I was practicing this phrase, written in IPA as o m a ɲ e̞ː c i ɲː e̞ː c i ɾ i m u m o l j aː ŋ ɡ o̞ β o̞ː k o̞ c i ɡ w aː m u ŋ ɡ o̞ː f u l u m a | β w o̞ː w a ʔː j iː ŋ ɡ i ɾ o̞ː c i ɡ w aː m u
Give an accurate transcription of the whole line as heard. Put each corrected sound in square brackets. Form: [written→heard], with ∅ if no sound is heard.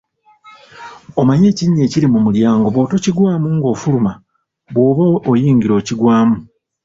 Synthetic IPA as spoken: o m a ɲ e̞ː c i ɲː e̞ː c i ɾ i m u m [o→u] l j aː ŋ ɡ o̞ β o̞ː [k→t] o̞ c i ɡ w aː m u ŋ ɡ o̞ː f u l u m a | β w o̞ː [w→β] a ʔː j iː ŋ ɡ i ɾ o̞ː c i ɡ w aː m u